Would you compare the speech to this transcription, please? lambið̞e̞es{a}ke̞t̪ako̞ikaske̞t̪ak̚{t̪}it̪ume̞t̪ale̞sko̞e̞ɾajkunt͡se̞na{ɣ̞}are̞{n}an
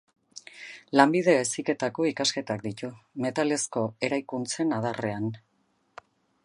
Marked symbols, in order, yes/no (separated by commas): no, no, no, no